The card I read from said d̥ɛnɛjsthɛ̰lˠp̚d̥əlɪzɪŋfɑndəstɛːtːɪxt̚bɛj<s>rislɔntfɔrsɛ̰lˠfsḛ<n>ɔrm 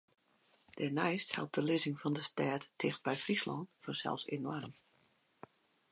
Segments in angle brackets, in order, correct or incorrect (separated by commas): incorrect, correct